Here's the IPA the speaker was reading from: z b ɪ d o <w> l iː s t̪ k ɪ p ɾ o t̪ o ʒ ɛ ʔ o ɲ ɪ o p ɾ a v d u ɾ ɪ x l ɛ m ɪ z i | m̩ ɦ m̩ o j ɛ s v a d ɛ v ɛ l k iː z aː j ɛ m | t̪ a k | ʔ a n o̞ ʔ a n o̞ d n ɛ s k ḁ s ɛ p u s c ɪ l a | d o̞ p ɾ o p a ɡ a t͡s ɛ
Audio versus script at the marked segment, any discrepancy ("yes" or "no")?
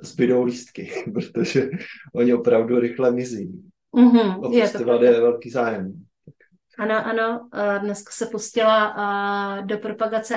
no